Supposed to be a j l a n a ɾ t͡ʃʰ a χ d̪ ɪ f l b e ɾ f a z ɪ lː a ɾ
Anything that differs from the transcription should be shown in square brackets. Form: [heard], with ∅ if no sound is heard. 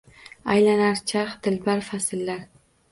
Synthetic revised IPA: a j l a n a ɾ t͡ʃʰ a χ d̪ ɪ [∅] l b [a] ɾ f a [s] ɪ lː a ɾ